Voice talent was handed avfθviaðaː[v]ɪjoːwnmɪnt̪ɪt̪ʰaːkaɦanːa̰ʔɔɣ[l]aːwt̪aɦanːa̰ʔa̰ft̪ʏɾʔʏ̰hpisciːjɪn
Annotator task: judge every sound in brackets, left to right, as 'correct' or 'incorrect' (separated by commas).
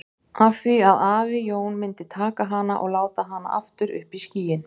correct, correct